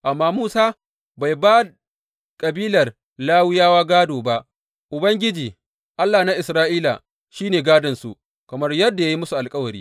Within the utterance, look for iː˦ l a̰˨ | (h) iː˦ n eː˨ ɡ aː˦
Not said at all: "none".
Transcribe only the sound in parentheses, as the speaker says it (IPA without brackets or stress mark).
ʃ